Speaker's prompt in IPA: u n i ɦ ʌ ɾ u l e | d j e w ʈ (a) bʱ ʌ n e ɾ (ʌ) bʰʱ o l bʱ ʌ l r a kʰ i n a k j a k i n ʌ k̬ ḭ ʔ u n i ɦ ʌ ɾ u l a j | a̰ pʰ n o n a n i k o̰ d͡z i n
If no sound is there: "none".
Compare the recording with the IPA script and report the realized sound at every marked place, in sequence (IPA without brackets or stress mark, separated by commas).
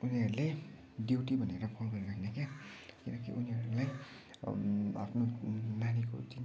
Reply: i, ʌ